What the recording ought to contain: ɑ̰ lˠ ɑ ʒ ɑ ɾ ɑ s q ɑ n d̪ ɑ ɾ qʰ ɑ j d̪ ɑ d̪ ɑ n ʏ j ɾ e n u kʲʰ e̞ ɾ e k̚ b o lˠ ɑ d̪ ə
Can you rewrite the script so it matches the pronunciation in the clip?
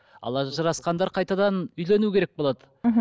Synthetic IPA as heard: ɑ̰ lˠ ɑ ʒ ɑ ɾ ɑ s q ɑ n d̪ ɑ ɾ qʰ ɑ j t̪ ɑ d̪ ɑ n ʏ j l e n u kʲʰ e̞ ɾ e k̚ b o lˠ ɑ d̪ ə

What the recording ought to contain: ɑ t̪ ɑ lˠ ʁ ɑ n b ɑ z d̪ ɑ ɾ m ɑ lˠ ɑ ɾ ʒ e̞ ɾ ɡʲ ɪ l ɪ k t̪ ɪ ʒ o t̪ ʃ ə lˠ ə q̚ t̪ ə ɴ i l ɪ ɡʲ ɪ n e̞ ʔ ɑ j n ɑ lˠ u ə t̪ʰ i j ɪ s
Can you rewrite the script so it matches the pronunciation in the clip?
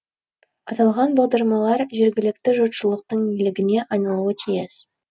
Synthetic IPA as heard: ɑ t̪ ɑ lˠ ʁ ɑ n b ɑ ʁ d̪ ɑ ɾ m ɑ lˠ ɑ ɾ ʒ e̞ ɾ ɡʲ ɪ l ɪ k t̪ ɪ ʒ o t̪ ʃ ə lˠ ə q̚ t̪ ə ɴ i l ɪ ɡʲ ɪ n e̞ ʔ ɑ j n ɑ lˠ u ə t̪ʰ i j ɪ s

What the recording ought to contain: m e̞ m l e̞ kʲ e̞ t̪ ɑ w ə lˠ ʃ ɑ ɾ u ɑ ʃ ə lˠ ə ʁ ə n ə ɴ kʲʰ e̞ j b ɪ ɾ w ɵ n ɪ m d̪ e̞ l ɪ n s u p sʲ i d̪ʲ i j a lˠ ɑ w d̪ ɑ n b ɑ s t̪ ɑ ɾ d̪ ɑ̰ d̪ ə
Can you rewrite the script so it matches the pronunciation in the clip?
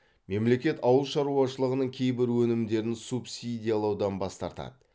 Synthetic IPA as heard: m e̞ m l e̞ kʲ e̞ t̪ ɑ w ə lˠ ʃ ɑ ɾ u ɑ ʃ ə lˠ ə ʁ ə n ə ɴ kʲʰ e̞ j b ɪ ɾ w ɵ n ɪ m d̪ e̞ ɾ ɪ n s u p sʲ i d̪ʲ i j a lˠ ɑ w d̪ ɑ n b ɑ s t̪ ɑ ɾ t̪ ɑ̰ d̪ ə

